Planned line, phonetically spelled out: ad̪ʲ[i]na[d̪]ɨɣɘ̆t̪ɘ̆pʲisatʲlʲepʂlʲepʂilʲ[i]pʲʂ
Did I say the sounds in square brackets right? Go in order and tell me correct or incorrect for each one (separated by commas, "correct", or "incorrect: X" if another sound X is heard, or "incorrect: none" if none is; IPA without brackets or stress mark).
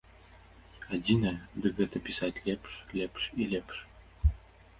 correct, correct, incorrect: e